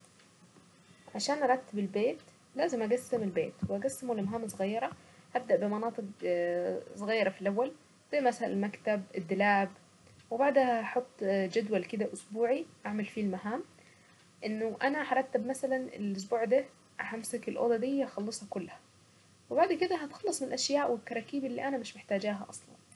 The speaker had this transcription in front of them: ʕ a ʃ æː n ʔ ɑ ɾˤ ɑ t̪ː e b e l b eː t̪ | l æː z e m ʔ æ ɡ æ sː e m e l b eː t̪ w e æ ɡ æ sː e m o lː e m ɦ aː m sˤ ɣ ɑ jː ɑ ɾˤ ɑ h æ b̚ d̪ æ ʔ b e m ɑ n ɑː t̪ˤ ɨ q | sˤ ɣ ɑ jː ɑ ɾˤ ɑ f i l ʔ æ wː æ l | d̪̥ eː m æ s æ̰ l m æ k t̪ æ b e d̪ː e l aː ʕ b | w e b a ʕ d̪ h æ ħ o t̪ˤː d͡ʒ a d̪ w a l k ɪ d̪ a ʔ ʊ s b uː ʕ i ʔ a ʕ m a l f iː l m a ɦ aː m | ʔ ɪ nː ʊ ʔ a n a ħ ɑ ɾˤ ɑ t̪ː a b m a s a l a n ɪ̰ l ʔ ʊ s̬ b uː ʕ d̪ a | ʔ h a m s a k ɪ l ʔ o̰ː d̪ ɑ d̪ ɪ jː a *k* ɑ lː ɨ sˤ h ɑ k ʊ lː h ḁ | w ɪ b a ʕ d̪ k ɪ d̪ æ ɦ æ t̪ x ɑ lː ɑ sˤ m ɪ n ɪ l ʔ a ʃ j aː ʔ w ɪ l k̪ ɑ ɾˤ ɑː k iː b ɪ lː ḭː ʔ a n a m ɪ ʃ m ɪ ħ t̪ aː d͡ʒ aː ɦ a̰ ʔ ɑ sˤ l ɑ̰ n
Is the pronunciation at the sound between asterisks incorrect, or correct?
incorrect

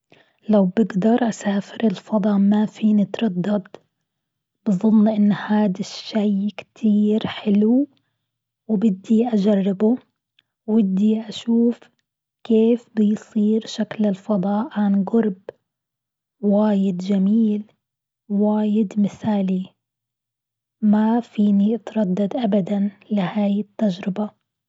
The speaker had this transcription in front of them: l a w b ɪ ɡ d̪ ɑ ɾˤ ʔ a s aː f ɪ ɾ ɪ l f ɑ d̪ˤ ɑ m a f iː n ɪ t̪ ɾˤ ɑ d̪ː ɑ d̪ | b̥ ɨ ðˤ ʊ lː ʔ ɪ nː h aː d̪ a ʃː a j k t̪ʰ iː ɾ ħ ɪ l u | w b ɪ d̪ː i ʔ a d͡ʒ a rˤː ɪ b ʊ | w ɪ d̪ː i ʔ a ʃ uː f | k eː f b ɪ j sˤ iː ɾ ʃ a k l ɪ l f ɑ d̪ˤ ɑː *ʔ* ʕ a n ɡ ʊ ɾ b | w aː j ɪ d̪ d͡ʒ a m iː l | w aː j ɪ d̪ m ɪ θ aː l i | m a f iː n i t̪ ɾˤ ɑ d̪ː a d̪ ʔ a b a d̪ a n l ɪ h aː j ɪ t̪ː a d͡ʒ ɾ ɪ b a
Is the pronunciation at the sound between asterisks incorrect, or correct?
correct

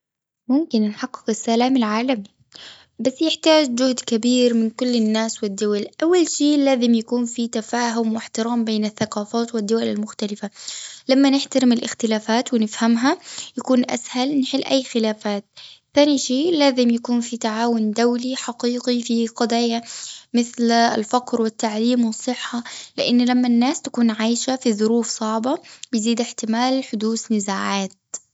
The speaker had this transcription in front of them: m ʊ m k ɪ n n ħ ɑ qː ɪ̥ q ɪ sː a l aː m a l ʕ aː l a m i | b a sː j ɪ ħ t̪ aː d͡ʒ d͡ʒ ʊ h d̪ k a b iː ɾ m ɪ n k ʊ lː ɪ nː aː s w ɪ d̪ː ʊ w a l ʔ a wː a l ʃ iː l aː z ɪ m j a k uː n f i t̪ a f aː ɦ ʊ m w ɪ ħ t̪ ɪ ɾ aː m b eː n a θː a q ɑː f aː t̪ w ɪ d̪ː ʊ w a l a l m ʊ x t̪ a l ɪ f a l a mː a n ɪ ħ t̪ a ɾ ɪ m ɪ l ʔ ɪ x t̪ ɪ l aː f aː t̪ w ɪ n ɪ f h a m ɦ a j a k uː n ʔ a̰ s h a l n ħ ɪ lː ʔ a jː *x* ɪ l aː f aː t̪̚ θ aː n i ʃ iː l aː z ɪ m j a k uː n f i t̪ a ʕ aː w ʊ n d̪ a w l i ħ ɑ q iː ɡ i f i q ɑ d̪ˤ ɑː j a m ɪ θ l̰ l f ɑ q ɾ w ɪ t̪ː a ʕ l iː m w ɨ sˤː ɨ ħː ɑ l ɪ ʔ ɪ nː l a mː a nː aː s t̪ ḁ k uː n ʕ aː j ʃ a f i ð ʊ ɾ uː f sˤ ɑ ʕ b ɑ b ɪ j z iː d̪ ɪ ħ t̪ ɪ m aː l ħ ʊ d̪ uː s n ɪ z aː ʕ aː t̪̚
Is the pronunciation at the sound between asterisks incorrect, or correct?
correct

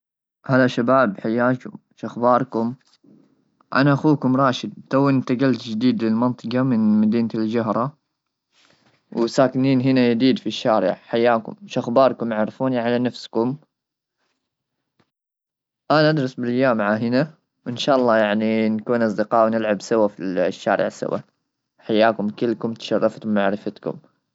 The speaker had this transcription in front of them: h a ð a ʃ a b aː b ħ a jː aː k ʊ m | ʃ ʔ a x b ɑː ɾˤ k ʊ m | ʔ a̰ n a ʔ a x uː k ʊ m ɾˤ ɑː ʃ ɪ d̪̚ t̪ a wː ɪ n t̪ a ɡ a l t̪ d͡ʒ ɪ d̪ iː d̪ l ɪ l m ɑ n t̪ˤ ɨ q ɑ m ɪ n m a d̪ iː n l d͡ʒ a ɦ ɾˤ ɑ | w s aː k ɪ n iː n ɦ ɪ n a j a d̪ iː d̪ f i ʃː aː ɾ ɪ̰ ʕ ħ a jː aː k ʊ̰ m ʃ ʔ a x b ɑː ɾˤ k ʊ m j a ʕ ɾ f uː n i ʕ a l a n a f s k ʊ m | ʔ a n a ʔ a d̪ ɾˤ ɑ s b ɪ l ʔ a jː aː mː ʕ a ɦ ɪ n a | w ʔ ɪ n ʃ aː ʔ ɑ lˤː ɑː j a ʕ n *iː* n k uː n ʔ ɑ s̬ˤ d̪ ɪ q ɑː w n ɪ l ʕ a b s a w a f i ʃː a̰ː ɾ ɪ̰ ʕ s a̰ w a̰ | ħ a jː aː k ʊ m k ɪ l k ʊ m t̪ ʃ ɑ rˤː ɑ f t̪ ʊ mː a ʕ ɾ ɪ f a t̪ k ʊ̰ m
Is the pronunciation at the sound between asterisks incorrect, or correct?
incorrect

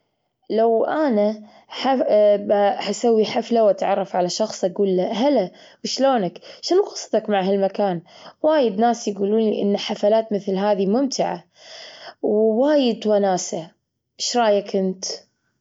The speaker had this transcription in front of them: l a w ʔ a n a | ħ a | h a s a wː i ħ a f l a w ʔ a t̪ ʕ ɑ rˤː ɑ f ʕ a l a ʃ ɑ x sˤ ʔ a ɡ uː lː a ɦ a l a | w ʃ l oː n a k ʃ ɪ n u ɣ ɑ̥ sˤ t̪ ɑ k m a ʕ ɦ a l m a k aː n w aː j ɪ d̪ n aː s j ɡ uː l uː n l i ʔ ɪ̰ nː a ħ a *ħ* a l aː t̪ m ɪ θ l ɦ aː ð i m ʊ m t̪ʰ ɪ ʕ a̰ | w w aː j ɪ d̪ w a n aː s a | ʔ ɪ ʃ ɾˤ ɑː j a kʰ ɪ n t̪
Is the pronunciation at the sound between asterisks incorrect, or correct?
incorrect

